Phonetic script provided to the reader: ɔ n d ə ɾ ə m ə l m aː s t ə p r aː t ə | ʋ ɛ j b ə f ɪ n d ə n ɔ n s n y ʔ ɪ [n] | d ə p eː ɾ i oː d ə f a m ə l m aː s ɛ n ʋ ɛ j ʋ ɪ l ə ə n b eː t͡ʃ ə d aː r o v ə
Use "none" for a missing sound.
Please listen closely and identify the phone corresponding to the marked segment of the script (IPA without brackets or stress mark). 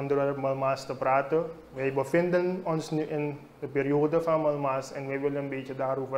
n